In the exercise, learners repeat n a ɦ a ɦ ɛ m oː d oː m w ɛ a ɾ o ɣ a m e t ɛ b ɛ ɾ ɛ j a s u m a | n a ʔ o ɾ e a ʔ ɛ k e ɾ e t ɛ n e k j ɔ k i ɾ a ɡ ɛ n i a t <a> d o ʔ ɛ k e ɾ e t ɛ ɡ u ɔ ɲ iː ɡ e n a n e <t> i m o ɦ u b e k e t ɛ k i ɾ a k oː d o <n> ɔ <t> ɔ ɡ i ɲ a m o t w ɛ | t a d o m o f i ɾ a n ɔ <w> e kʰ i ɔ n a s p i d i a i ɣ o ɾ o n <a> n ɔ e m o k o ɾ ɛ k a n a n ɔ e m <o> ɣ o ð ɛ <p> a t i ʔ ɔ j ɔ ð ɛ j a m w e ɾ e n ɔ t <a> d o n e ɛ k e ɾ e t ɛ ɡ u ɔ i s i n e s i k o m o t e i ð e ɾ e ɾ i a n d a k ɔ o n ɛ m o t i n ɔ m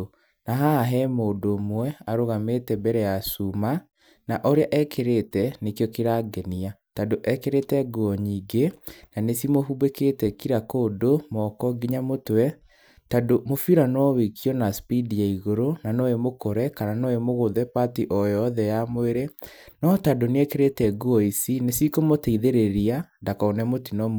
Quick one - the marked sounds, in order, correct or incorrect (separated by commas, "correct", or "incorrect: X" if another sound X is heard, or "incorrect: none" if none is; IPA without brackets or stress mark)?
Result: correct, incorrect: s, incorrect: m, incorrect: k, correct, correct, correct, correct, correct